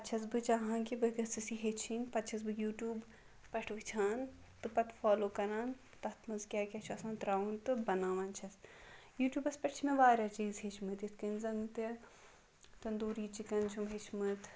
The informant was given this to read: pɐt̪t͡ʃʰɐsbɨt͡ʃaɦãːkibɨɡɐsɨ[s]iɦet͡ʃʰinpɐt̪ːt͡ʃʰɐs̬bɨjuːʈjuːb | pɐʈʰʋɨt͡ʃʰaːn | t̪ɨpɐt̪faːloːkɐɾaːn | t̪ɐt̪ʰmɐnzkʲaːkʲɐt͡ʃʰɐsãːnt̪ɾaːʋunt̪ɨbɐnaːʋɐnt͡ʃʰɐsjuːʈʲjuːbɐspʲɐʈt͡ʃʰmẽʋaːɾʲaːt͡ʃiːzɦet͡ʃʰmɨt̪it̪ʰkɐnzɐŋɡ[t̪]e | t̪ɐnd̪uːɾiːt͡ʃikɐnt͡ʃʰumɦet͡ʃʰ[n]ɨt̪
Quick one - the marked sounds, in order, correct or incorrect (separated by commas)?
correct, correct, incorrect